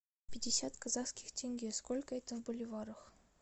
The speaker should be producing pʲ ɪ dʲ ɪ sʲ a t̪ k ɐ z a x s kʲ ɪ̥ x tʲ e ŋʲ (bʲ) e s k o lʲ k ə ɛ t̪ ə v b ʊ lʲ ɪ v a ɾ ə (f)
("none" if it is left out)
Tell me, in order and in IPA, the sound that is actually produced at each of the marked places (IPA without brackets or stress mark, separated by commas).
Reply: ɡʲ, x